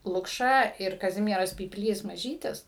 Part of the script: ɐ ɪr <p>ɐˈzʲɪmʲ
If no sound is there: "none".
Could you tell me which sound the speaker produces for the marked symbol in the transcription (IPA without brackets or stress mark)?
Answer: k